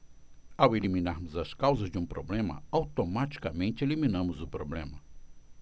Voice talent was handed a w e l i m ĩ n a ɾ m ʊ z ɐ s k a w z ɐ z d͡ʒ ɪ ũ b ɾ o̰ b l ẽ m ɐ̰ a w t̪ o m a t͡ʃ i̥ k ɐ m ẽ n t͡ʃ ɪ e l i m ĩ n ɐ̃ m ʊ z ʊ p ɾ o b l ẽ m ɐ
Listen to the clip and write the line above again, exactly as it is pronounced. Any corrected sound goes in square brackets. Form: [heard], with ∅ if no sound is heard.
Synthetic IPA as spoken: a w e l i m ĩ n a ɾ m ʊ z ɐ s k a w z ɐ z d͡ʒ ɪ ũ [p] ɾ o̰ b l ẽ m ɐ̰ a w t̪ o m a t͡ʃ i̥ k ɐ m ẽ n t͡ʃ ɪ e l i m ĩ n ɐ̃ m ʊ z ʊ p ɾ o b l ẽ m ɐ